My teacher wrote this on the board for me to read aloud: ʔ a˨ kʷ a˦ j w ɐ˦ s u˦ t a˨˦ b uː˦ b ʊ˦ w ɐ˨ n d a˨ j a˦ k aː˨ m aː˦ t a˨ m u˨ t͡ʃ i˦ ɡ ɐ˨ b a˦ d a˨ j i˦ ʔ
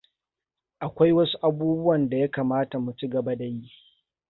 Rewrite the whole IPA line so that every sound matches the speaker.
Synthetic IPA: ʔ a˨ kʷ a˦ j w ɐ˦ s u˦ ʔ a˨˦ b uː˦ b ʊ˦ w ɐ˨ n d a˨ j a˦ k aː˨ m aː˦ t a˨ m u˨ t͡ʃ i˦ ɡ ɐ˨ b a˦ d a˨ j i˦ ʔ